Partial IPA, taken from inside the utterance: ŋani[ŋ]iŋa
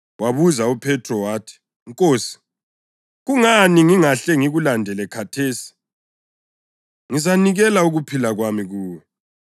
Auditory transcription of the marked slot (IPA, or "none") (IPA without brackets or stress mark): ŋ